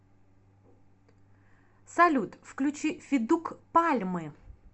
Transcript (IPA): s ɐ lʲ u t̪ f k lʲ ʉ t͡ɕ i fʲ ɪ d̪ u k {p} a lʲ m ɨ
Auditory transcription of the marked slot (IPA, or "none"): p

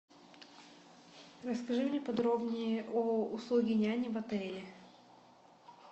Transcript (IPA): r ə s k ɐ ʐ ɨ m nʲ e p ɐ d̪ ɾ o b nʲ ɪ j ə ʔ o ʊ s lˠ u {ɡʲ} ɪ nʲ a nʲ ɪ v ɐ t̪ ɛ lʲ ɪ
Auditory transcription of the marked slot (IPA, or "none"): ɡʲ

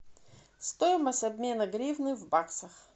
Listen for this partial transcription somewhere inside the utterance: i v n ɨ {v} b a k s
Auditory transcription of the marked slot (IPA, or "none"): v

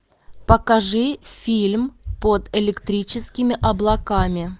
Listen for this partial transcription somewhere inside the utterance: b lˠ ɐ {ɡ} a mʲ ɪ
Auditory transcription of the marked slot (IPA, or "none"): k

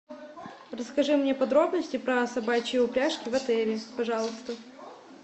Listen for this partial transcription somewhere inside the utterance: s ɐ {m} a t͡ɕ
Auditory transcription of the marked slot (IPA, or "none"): b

